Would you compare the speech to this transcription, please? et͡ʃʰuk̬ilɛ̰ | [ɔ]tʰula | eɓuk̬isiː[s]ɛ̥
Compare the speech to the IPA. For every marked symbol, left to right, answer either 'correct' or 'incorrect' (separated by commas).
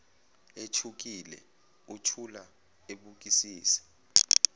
incorrect, correct